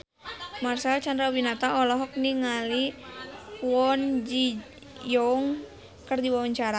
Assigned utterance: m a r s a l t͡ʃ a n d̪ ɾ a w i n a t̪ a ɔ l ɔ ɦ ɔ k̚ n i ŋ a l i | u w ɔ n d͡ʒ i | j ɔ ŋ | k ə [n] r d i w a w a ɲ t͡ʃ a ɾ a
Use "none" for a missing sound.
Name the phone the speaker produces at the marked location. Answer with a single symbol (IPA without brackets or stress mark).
none